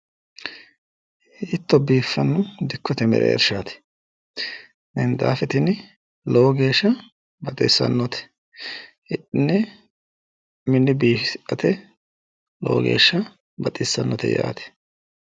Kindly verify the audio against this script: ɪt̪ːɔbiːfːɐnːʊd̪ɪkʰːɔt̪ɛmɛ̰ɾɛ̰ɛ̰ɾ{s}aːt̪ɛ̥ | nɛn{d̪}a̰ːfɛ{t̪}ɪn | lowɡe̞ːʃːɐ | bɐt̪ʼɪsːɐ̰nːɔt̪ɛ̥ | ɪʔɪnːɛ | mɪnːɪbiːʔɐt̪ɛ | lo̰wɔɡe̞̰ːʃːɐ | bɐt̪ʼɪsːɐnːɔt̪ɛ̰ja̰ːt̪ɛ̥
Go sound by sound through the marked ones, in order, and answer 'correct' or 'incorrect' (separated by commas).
incorrect, correct, correct